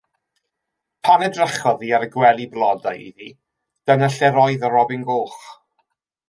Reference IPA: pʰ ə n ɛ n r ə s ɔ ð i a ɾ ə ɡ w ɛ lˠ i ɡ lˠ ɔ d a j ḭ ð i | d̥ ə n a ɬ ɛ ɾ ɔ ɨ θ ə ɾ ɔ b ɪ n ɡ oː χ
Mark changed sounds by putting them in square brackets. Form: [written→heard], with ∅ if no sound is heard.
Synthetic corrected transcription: pʰ [ə→a] n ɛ [n→d] r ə [s→χ] ɔ ð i a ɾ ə ɡ w ɛ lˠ i [ɡ→b] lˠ ɔ d a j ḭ ð i | d̥ ə n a ɬ ɛ ɾ ɔ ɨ [θ→ð] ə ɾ ɔ b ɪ n ɡ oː χ